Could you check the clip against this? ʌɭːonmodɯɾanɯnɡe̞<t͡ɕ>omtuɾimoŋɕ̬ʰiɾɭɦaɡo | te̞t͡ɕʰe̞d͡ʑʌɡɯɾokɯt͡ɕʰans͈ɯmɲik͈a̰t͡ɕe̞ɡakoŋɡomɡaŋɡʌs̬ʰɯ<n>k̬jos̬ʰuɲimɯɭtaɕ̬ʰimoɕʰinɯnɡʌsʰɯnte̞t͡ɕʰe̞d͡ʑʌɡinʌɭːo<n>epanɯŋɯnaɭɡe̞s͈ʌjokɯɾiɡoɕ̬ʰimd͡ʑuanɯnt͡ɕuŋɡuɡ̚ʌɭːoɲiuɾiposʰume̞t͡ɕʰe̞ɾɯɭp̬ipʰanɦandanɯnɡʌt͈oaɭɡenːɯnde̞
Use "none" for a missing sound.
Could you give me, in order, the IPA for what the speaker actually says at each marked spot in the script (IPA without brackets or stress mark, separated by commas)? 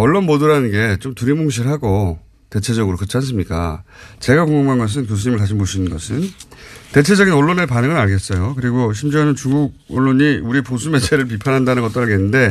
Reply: t͡ɕ, n, n